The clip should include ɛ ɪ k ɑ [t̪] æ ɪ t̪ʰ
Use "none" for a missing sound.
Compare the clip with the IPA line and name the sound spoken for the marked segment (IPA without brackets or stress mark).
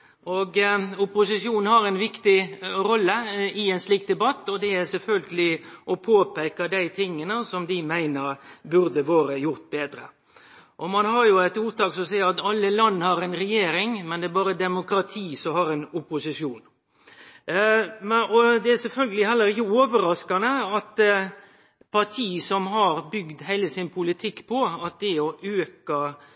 d̪